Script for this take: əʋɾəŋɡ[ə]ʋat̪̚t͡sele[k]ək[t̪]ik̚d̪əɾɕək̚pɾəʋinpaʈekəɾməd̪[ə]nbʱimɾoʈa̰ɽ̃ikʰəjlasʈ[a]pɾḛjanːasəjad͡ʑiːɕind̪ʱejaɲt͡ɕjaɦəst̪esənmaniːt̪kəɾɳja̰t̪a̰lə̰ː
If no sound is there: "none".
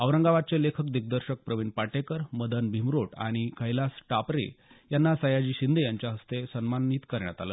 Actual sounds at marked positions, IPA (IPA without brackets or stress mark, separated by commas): a, kʰ, d̪, ə, a